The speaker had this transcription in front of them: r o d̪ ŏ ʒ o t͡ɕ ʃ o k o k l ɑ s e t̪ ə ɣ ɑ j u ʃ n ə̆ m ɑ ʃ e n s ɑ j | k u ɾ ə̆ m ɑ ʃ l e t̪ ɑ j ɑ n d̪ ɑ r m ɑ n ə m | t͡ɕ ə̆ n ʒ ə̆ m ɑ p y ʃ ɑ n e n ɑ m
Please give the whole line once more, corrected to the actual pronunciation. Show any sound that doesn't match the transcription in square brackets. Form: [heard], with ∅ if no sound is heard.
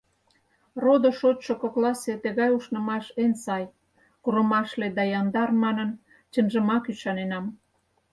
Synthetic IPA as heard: r o d̪ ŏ [ʃ] o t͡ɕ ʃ o k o k l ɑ s e t̪ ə ɣ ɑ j u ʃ n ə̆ m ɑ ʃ e n s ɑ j | k u ɾ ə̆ m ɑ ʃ l e [d̪] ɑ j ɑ n d̪ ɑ r m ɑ n ə [n] | t͡ɕ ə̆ n ʒ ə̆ m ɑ [k] y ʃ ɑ n e n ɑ m